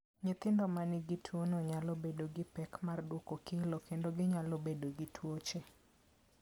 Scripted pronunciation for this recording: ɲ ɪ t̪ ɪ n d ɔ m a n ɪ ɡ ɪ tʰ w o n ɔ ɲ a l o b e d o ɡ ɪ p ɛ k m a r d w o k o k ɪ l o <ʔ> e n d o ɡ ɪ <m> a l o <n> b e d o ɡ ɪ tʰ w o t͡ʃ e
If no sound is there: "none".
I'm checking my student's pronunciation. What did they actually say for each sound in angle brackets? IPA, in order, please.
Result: k, ɲ, none

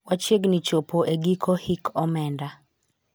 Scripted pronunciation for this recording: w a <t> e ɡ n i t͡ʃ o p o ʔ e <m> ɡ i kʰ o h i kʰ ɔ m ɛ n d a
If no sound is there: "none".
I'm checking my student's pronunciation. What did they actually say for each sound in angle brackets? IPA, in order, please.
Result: t͡ʃ, none

